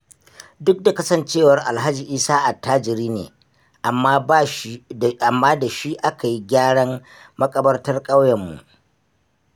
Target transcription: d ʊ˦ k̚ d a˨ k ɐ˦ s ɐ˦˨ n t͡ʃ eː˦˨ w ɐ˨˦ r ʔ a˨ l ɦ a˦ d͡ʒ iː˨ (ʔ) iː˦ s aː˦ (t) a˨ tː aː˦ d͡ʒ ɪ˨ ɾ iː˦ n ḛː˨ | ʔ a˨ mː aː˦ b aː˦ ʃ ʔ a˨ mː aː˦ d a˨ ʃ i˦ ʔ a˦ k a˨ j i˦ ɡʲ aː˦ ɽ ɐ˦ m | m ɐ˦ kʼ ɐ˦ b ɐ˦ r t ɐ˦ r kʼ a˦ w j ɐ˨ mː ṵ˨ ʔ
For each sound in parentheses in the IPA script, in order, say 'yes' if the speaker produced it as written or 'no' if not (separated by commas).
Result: yes, no